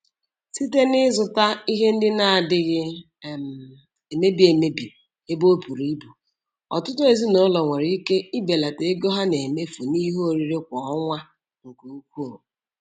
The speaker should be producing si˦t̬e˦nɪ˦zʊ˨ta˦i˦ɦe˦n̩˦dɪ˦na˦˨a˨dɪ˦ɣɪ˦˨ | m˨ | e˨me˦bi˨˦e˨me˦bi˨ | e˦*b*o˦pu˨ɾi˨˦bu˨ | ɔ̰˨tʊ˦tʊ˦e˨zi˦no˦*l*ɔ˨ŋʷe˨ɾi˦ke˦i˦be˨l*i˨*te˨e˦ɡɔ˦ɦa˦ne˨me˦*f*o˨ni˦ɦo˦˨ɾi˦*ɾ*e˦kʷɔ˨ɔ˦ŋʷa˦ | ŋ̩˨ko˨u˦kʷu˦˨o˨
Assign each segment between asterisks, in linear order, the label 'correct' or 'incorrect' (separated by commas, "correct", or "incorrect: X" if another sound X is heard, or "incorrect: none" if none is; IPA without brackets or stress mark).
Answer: correct, correct, incorrect: a˨, correct, correct